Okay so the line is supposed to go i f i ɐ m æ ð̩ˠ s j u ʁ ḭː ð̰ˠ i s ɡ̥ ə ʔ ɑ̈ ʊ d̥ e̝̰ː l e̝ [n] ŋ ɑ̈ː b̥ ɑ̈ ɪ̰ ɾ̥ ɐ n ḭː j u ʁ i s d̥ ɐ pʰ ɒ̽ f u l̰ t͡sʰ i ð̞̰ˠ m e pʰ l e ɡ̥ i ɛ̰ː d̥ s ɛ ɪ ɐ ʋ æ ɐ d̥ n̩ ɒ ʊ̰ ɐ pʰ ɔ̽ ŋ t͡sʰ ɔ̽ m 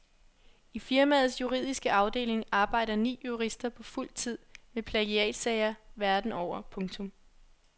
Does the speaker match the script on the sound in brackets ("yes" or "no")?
no